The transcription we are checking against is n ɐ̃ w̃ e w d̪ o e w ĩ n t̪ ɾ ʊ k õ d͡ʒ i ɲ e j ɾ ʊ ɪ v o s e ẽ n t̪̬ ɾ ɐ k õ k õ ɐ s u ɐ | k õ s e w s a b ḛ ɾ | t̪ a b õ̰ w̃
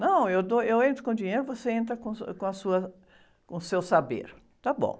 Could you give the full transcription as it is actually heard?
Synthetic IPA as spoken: n ɐ̃ w̃ e w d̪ o e w ẽ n t̪ ɾ ʊ k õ d͡ʒ i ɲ e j ɾ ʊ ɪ v o s e ẽ n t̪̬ ɾ ɐ k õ k õ ɐ s u ɐ | k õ s e w s a b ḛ ɾ | t̪ a b õ̰ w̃